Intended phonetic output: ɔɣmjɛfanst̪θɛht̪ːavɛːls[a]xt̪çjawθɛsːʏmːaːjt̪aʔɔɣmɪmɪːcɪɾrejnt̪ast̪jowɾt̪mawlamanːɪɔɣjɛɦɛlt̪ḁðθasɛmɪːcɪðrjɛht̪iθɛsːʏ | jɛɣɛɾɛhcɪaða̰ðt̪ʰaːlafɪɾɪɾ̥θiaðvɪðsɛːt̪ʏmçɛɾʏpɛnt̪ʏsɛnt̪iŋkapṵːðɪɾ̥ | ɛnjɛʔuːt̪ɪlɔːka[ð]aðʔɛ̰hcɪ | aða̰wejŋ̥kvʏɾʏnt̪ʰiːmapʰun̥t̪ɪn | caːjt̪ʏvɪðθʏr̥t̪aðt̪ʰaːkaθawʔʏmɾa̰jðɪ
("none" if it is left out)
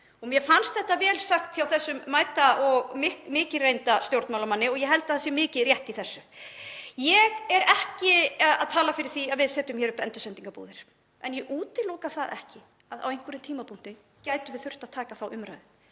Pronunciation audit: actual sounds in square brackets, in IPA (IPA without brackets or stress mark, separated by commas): a, θ